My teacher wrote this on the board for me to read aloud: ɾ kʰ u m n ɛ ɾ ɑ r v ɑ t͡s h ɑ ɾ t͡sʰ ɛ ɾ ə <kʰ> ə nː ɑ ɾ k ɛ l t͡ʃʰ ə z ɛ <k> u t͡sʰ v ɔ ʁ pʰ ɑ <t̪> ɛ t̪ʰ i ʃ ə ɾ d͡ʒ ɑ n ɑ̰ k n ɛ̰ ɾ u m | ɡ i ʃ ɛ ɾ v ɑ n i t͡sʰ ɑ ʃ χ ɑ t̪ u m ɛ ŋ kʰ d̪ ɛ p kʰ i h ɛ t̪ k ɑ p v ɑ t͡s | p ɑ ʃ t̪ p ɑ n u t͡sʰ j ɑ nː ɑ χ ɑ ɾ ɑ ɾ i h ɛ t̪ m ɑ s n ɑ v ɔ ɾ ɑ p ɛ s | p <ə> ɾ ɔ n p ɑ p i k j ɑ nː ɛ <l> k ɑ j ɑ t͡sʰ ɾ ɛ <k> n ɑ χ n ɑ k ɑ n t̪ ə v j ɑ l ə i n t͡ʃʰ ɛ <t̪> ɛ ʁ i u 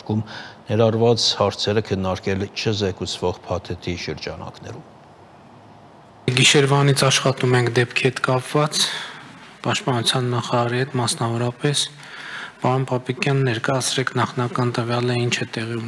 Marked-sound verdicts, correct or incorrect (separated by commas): correct, correct, incorrect, incorrect, incorrect, incorrect, correct